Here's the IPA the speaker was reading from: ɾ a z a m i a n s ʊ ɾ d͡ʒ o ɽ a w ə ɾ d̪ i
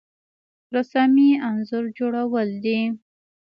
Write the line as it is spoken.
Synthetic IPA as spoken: ɾ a s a m i a n z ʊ ɾ d͡ʒ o ɽ a w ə l d̪ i